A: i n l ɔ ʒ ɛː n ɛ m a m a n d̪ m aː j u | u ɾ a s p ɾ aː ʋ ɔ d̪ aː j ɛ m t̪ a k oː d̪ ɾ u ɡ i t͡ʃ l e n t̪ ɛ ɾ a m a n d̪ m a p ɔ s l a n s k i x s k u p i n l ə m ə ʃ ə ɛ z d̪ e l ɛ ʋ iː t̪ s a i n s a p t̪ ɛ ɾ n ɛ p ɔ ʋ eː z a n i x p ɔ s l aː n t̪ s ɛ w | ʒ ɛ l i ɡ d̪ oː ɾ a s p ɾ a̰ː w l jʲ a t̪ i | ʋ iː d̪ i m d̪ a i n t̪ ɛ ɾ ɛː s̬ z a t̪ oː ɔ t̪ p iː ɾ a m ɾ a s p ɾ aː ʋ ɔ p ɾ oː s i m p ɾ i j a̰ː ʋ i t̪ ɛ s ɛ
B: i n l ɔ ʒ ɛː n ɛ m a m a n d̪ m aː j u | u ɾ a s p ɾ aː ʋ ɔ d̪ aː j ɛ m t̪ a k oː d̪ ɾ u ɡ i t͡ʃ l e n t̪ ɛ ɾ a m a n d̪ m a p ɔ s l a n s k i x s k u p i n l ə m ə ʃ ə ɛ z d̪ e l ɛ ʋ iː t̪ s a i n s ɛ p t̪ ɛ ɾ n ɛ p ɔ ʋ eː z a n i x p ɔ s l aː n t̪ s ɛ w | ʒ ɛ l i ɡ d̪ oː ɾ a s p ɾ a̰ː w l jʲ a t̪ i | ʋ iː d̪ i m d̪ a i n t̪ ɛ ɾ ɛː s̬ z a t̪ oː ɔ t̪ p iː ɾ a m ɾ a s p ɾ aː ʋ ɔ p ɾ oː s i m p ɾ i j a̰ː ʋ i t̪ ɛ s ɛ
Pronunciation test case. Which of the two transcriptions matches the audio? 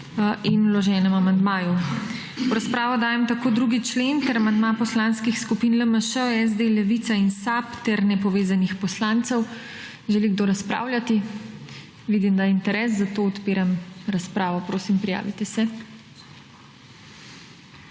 A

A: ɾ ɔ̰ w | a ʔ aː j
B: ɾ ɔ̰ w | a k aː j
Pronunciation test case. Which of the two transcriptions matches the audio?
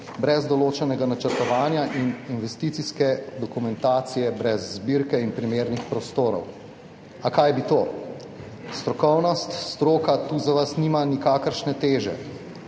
B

